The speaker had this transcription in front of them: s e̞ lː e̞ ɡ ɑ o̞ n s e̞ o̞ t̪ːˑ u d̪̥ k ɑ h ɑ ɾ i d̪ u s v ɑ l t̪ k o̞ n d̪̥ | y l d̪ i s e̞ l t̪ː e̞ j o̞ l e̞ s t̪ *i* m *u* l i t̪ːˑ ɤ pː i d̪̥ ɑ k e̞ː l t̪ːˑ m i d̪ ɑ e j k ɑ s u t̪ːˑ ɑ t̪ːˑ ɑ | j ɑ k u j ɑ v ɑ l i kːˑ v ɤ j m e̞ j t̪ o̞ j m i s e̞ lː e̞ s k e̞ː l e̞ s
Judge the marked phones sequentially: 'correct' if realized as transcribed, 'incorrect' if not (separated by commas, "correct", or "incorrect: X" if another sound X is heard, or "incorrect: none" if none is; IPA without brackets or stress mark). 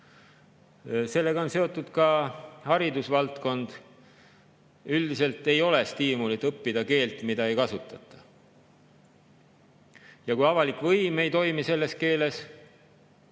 incorrect: iː, correct